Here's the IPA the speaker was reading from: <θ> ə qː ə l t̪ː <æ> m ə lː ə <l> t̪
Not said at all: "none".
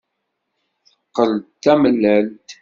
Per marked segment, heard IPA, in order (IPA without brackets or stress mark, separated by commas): θ, æ, l